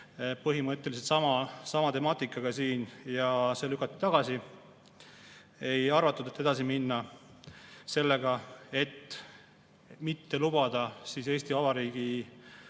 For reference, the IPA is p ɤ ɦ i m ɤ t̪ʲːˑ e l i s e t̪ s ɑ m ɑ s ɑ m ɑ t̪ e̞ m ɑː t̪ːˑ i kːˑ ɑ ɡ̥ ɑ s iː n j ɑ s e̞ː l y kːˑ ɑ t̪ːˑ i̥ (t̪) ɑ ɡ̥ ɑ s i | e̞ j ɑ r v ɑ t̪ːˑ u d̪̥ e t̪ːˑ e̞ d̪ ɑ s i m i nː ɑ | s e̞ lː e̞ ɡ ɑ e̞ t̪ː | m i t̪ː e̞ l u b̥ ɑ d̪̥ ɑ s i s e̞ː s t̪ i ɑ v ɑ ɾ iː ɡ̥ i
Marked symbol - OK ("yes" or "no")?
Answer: yes